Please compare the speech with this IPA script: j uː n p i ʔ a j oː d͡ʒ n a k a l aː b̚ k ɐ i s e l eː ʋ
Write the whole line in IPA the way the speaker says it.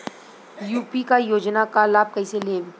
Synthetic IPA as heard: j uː p i k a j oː d͡ʒ n a k a l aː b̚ k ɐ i s e l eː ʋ